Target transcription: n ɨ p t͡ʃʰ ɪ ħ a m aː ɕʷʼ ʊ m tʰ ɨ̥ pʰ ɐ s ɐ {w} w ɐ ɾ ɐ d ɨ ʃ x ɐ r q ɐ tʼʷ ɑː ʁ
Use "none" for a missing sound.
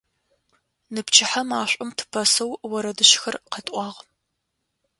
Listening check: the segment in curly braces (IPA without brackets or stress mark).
w